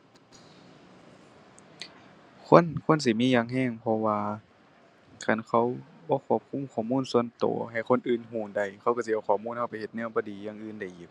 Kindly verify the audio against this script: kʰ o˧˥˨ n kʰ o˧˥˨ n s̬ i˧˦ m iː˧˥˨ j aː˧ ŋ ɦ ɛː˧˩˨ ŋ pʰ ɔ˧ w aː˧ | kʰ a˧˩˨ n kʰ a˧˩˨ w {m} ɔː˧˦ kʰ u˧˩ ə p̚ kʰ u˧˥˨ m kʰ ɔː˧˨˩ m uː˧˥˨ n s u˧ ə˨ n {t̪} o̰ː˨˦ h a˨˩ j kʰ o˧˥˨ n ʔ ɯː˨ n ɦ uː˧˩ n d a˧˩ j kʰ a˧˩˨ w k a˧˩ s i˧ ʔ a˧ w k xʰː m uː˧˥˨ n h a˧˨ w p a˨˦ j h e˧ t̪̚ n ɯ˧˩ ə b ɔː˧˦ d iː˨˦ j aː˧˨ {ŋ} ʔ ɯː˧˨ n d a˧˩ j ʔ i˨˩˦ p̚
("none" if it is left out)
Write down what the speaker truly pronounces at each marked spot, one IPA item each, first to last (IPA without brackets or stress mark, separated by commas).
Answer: b, t̪, ŋ